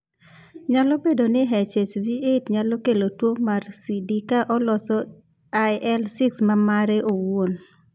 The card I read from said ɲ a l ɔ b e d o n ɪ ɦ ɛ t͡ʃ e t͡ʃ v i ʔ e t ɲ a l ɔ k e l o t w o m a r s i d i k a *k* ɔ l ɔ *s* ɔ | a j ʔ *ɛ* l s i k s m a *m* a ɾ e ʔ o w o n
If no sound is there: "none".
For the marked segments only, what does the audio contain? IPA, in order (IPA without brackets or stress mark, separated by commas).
ʔ, s, ɛ, m